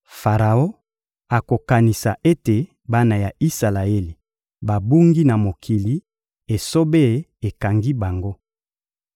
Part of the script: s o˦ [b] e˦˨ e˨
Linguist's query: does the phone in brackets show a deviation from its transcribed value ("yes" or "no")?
no